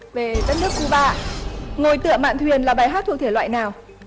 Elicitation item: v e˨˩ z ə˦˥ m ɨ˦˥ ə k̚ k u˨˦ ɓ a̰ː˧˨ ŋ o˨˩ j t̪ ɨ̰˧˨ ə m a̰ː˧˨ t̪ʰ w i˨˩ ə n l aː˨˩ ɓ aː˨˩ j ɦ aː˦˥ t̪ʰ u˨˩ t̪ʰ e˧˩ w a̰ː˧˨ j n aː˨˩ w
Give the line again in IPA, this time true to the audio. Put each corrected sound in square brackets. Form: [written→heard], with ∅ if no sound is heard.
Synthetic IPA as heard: v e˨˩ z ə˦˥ [m→n] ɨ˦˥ ə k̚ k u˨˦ ɓ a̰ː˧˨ ŋ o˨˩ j t̪ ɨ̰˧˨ ə m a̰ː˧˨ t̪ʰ w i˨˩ ə n l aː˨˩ ɓ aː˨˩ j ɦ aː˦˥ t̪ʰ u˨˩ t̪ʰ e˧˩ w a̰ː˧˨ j n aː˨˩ w